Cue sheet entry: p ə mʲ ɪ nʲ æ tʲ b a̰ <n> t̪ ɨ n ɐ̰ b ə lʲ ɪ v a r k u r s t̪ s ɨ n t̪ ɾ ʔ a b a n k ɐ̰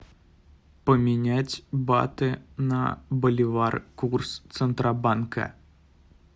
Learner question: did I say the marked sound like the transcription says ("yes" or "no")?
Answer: no